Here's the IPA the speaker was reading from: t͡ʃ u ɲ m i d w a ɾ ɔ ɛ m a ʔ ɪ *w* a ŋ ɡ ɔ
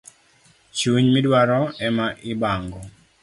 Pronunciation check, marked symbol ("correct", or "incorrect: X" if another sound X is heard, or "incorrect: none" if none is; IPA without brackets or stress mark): incorrect: b